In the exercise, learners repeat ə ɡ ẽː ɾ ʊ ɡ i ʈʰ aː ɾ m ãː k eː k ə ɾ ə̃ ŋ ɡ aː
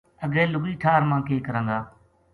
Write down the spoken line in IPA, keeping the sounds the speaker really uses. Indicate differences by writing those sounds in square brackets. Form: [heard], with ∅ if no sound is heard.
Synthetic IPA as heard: ə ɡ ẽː [l] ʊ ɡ [iː] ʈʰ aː ɾ m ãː k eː k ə ɾ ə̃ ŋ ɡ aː